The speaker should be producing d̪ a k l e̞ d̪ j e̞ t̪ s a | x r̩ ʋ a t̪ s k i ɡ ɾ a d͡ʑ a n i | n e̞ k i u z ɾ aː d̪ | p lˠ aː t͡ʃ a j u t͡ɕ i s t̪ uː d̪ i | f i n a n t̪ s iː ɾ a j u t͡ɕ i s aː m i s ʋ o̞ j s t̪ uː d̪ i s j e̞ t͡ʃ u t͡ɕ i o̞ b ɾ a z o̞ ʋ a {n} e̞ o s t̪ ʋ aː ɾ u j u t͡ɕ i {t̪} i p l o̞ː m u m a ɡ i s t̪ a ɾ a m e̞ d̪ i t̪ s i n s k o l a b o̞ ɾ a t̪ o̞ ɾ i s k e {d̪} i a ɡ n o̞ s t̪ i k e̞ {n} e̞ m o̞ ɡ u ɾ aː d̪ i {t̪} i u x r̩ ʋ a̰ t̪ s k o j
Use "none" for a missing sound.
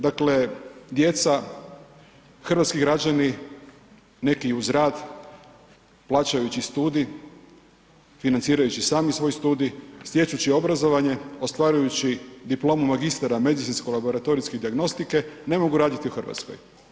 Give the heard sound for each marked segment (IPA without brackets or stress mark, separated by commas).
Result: ɲ, d̪, d̪, n, t̪